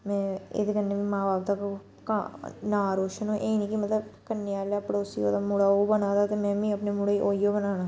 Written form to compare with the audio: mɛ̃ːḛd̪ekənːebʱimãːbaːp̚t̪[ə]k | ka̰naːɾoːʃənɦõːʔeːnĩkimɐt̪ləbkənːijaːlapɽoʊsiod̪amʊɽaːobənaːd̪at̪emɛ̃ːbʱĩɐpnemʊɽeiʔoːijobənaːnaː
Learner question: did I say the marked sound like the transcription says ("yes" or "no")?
no